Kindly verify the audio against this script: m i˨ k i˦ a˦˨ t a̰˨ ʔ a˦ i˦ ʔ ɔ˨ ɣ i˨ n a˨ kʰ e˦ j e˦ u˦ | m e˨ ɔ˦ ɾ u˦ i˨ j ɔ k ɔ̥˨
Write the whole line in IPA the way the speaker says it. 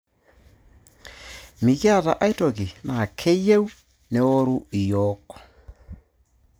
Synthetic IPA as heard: m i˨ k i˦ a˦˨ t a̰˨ ʔ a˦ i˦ t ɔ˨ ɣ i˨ n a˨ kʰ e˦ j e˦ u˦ | n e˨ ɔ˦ ɾ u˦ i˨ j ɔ k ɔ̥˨